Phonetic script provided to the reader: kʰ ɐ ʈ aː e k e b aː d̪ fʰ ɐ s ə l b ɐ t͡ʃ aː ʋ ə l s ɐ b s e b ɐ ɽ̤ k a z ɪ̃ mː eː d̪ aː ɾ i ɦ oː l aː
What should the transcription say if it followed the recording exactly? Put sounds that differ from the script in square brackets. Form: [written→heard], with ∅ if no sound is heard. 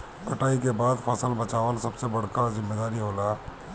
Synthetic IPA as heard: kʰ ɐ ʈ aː [e→i] k e b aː d̪ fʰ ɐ s ə l b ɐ t͡ʃ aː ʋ ə l s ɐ b s e b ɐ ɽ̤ k a z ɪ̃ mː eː d̪ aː ɾ i ɦ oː l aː